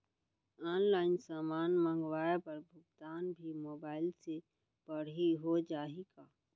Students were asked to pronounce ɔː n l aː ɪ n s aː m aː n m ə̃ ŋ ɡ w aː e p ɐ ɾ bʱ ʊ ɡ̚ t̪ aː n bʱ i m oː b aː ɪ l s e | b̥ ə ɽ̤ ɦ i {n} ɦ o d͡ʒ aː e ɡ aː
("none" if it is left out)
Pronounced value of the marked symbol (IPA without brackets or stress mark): none